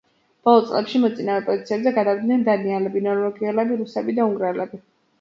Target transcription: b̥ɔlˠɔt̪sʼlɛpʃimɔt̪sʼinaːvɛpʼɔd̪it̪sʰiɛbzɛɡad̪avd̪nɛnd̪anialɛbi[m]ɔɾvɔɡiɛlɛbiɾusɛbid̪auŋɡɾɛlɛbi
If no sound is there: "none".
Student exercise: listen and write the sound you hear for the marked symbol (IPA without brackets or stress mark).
n